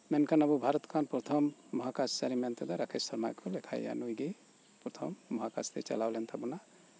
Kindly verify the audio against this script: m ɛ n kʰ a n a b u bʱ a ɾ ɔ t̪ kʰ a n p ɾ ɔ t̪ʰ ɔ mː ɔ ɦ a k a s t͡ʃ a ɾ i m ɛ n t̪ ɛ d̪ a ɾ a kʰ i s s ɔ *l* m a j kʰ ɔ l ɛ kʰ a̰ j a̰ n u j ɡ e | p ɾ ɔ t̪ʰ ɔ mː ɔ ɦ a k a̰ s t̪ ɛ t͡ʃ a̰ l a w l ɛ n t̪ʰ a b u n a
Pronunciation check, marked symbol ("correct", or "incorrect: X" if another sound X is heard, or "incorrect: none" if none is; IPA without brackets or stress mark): incorrect: ɾ